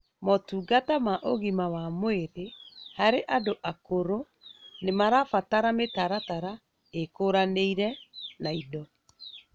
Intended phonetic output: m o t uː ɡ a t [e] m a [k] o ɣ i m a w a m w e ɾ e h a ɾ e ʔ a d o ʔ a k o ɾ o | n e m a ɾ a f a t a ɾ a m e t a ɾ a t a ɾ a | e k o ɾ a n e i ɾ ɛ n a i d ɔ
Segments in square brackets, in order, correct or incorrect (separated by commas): incorrect, incorrect